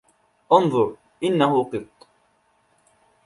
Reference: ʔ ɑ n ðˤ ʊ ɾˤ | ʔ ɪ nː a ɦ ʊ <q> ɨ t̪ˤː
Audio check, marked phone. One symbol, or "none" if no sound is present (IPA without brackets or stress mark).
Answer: q